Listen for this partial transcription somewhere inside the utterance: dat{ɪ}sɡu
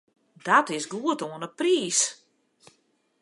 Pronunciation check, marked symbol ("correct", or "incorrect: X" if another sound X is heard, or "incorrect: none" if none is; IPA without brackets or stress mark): correct